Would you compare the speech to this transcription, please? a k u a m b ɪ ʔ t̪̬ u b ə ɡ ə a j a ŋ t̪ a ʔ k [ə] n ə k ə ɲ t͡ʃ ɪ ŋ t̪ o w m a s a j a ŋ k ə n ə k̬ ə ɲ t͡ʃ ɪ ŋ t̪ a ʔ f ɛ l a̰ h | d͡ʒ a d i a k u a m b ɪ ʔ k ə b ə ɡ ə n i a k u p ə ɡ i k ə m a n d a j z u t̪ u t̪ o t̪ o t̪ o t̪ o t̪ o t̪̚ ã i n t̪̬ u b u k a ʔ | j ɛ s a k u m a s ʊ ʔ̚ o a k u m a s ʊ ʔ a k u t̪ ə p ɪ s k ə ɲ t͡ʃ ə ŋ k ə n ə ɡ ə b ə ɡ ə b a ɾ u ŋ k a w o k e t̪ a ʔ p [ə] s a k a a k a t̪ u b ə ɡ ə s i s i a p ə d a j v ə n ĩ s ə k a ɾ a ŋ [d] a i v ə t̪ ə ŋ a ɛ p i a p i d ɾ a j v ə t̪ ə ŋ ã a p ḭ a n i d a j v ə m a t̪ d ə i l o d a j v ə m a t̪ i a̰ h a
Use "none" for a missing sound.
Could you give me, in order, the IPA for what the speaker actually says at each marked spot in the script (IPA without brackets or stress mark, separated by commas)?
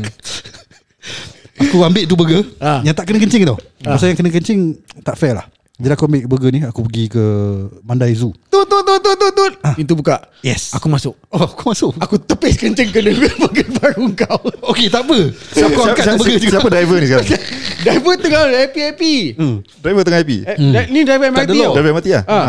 ə, ə, d